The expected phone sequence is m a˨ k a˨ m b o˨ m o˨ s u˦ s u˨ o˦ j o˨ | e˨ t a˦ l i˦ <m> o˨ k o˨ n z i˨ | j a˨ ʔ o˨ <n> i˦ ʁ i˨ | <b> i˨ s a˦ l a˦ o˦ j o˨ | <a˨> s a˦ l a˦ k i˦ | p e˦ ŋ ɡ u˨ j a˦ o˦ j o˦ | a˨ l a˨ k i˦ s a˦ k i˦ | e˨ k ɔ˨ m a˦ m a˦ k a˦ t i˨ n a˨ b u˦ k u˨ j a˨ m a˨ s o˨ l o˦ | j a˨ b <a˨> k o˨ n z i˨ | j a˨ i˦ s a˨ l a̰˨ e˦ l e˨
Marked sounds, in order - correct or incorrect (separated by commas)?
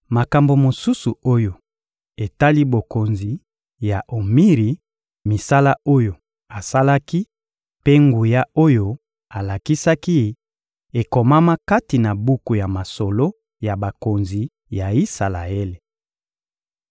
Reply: incorrect, incorrect, incorrect, correct, correct